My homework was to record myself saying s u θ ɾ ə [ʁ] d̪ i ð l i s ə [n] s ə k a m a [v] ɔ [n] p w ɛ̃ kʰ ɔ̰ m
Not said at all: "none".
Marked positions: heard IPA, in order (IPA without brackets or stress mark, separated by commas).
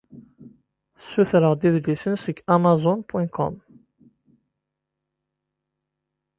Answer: ʁ, n, z, n